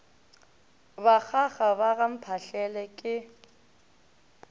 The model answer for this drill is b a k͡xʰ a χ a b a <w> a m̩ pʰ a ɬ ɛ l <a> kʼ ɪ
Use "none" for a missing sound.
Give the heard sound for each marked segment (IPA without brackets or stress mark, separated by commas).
ɣ, ɛ